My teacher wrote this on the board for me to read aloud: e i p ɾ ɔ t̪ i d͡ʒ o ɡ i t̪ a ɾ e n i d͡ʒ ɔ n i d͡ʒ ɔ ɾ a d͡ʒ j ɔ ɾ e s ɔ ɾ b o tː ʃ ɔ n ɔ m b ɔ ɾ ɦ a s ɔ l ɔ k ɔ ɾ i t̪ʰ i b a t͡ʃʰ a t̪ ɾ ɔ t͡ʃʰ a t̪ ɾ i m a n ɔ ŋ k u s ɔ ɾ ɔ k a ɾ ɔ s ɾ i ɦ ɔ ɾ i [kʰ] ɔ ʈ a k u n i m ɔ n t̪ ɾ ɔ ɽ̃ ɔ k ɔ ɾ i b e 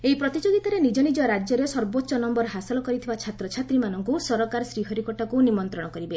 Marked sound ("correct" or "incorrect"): incorrect